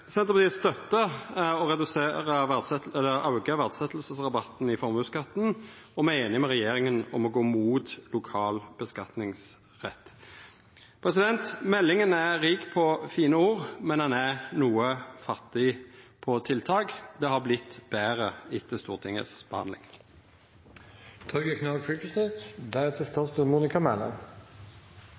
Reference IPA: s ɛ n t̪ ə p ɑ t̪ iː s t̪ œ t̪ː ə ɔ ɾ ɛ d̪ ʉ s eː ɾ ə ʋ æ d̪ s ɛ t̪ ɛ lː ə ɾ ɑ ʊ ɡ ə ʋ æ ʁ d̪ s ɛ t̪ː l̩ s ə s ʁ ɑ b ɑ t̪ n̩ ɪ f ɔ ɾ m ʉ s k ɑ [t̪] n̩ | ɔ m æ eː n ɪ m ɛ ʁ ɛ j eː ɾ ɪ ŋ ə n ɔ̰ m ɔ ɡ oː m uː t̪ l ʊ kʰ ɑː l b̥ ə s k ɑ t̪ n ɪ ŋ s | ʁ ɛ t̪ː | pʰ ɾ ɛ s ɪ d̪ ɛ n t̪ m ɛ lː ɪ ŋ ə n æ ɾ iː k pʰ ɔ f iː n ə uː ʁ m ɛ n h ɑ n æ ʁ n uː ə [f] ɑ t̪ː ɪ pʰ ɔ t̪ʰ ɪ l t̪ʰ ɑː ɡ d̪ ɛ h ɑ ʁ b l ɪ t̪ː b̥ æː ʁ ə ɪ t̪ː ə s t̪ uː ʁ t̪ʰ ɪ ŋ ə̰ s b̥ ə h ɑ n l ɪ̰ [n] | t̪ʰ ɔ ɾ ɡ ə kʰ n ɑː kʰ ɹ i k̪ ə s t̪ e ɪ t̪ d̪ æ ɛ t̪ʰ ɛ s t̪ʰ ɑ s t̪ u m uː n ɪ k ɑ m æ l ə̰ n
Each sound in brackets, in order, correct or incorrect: correct, correct, incorrect: ŋ

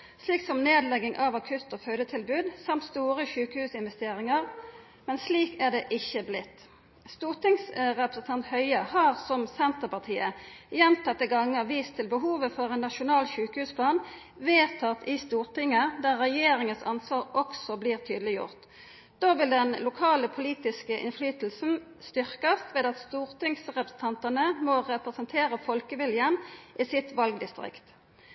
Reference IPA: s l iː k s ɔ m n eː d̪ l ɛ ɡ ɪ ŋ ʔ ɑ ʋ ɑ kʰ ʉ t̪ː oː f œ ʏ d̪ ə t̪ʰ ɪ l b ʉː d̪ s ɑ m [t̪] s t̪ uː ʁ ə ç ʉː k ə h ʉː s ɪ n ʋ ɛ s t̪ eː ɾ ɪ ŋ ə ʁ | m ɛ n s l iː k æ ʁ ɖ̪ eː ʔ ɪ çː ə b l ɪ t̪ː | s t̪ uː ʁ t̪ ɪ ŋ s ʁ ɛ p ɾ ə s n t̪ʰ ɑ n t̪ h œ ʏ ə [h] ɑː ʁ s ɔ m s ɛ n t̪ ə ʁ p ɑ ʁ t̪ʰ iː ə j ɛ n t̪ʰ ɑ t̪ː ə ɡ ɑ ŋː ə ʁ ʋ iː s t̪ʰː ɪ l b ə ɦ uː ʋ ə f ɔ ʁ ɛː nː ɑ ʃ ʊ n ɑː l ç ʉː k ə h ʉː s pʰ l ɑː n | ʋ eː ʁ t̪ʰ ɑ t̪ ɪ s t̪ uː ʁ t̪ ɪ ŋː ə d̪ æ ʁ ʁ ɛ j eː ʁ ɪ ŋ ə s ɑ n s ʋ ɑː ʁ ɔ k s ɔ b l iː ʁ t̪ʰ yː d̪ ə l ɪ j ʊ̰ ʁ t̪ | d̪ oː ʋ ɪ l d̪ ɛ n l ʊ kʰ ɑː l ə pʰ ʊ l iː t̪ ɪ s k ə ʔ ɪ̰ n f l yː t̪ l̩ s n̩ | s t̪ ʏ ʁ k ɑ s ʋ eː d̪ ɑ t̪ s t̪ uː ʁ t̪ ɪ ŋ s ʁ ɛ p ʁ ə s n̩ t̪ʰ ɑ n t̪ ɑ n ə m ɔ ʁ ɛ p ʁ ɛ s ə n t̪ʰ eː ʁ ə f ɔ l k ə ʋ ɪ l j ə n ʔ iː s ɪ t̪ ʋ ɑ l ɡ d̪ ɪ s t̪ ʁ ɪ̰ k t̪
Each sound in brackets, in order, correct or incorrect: correct, correct

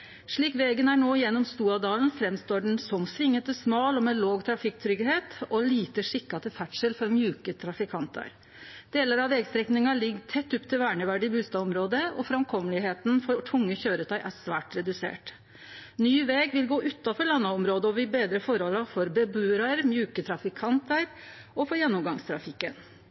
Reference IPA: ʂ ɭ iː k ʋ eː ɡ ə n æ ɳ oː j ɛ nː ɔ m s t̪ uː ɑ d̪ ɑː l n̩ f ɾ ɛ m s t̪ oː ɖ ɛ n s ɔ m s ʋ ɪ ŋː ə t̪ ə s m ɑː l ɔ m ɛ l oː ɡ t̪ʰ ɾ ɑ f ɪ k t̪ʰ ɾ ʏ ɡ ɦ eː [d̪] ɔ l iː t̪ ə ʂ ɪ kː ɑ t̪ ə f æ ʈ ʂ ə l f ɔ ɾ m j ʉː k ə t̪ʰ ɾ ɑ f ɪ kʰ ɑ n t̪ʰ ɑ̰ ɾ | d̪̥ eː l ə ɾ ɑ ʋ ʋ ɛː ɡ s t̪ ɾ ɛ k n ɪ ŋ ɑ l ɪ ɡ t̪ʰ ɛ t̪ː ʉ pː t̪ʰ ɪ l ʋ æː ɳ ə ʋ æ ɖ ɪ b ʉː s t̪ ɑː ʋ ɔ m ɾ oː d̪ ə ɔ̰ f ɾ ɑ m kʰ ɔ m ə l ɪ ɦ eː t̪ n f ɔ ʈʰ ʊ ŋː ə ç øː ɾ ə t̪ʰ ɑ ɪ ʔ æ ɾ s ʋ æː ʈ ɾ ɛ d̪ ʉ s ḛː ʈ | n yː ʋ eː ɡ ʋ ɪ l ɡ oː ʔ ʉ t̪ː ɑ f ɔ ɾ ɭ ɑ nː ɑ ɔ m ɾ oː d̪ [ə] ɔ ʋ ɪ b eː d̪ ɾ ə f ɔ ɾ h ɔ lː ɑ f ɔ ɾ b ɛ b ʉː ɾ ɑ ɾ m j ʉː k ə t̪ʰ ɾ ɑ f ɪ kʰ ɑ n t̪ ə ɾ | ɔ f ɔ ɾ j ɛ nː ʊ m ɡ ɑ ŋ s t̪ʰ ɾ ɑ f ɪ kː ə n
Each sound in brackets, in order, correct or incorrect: incorrect: t̪, correct

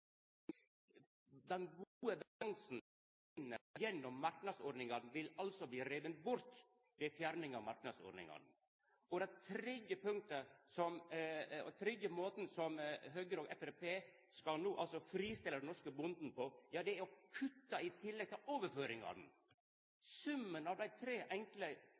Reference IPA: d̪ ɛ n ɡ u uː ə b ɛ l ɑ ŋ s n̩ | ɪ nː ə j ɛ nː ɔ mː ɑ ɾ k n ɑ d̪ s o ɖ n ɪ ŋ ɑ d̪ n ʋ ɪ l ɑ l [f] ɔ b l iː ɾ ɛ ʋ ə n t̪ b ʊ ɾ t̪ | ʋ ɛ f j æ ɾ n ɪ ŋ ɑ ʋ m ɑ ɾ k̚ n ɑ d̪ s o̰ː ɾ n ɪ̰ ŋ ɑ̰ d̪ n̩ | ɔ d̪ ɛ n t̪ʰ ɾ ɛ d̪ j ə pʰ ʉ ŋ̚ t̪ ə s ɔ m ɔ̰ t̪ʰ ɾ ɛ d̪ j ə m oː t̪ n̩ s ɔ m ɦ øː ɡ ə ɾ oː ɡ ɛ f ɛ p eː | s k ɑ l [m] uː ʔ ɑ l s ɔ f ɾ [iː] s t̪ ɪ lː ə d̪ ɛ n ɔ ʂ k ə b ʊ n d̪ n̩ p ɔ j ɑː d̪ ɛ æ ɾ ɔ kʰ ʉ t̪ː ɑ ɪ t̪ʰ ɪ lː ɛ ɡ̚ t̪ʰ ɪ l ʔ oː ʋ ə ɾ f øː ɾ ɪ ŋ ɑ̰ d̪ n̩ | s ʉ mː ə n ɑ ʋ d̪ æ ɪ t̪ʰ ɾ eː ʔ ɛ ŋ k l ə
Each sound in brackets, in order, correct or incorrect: incorrect: s, incorrect: n, correct

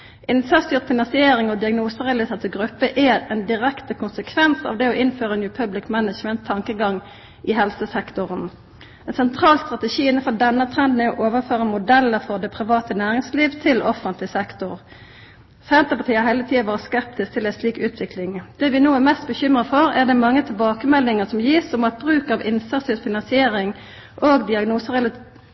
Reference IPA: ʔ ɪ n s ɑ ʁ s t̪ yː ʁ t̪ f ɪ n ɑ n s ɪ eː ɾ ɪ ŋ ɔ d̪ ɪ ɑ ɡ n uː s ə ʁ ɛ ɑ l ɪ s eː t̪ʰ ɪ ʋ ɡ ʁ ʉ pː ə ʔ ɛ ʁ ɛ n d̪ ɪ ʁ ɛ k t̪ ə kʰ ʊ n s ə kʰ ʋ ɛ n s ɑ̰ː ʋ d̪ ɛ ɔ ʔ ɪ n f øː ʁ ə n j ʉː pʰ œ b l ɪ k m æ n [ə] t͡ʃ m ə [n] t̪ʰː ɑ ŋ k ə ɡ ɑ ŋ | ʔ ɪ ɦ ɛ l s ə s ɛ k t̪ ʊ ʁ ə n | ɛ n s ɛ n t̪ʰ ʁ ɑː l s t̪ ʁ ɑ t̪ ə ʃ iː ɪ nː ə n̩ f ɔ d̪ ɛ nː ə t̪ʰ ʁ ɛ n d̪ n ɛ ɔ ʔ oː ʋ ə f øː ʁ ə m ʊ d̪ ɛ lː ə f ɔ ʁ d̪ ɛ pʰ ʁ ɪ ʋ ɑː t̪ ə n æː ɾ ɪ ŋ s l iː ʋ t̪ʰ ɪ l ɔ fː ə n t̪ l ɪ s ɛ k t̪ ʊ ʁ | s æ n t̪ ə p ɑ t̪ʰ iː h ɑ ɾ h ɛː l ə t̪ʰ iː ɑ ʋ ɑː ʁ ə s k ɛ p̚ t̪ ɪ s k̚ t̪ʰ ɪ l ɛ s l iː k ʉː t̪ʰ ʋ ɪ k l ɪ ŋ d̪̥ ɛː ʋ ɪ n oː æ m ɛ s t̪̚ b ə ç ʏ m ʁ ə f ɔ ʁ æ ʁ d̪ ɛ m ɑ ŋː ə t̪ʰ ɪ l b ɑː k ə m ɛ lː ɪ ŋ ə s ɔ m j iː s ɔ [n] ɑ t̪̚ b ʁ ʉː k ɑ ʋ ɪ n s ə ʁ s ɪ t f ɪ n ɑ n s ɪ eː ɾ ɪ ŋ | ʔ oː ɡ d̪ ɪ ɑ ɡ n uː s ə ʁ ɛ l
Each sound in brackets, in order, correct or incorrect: correct, correct, incorrect: m

